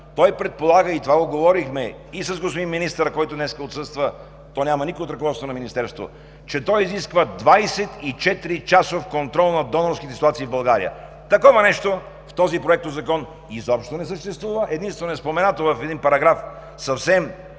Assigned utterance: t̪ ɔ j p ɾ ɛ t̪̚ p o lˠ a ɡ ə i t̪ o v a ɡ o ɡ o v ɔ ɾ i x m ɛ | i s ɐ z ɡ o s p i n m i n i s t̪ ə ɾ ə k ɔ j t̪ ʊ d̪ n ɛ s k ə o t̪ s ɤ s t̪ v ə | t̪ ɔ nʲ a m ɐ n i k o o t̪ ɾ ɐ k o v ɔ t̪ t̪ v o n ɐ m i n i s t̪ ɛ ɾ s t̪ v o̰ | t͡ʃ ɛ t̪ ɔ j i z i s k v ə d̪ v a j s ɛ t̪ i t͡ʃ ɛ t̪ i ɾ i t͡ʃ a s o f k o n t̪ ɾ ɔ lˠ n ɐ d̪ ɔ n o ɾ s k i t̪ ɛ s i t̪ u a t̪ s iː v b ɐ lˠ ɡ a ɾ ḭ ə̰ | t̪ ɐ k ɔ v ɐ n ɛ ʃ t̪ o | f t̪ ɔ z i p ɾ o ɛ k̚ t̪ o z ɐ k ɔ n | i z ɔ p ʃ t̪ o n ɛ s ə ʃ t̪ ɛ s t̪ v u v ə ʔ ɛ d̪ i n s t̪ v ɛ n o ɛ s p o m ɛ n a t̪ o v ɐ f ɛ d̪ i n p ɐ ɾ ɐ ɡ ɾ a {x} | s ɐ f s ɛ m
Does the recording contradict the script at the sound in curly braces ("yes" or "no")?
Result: yes